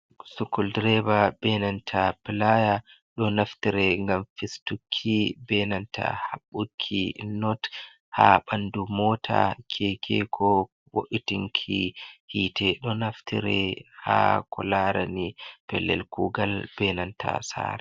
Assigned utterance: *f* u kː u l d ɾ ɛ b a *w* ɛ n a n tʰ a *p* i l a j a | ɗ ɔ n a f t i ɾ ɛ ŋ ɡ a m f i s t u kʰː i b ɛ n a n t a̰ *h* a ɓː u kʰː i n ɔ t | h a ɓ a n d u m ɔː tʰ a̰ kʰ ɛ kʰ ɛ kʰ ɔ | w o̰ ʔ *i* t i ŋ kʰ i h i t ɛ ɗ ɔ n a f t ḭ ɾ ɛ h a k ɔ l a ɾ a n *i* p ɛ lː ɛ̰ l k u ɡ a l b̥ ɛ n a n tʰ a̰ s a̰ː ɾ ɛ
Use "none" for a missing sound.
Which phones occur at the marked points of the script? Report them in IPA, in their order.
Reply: s, b, p, h, i, i

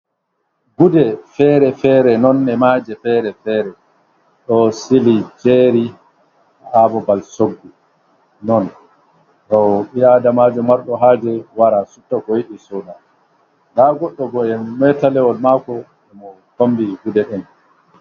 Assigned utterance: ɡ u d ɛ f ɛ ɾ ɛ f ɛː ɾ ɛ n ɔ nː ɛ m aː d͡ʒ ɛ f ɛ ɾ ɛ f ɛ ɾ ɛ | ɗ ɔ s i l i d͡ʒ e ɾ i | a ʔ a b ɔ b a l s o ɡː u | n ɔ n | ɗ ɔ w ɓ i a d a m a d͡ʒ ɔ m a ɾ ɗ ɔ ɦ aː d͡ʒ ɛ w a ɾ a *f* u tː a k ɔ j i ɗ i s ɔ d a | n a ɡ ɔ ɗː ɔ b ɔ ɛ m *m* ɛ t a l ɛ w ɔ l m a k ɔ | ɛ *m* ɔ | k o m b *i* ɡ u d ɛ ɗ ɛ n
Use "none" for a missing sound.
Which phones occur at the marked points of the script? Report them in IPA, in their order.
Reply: s, m, m, i

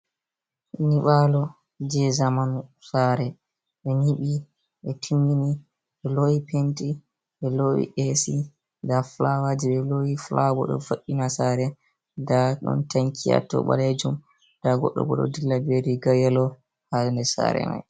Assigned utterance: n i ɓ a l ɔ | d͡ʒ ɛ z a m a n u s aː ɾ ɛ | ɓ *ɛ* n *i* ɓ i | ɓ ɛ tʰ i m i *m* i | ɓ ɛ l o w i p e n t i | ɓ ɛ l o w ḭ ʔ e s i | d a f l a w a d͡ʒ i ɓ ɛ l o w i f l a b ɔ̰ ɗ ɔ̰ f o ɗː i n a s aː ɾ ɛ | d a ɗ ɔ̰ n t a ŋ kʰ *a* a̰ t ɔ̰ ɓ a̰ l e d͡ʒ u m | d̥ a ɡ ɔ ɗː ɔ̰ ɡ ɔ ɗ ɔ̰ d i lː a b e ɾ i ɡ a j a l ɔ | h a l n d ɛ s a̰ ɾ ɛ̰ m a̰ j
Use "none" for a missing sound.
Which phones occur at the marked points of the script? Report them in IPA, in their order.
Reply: ɛ, i, n, i

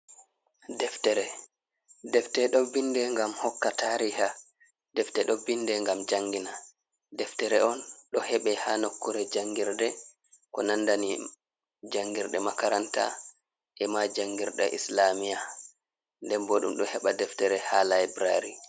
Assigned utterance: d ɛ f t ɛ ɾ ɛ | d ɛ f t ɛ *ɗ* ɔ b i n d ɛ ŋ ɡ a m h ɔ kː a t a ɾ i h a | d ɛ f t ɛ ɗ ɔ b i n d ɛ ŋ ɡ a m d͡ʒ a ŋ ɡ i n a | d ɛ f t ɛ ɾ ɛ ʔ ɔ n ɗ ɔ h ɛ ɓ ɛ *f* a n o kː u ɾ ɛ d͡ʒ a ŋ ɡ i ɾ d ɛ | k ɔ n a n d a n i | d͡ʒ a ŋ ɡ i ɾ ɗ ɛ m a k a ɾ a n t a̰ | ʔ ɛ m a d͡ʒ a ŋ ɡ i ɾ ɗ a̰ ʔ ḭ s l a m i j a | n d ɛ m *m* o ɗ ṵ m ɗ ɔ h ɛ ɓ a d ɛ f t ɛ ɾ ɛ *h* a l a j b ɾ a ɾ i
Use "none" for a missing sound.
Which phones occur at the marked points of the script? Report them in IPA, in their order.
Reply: ɗ, h, b, h

